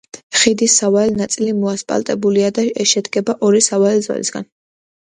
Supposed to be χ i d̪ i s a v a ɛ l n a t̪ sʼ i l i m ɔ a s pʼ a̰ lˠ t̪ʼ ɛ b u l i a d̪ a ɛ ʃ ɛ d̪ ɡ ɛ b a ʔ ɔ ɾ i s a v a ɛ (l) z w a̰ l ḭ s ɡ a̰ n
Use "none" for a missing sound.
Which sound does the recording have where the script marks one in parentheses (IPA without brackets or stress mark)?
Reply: l